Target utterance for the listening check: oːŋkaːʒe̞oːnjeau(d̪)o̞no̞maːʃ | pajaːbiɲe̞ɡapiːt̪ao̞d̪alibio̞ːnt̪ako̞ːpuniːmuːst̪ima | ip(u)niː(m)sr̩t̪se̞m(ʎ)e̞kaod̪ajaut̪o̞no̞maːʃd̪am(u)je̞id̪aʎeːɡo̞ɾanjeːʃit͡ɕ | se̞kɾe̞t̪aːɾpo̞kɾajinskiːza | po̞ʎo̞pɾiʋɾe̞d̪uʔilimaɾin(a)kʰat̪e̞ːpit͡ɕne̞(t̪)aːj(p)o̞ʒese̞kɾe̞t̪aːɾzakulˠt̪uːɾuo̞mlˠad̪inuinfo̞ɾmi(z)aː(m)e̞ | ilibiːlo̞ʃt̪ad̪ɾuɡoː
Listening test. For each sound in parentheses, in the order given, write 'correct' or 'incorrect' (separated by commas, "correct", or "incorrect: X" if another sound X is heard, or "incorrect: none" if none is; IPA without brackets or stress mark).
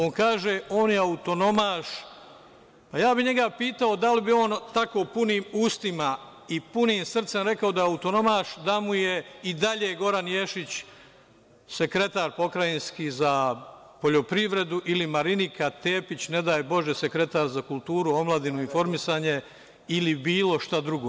incorrect: t̪, correct, correct, incorrect: ɾ, correct, incorrect: i, incorrect: d̪, incorrect: b, incorrect: s, incorrect: ɲ